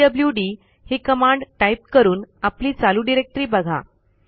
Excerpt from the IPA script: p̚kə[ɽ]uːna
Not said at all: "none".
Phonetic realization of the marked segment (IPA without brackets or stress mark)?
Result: ɾ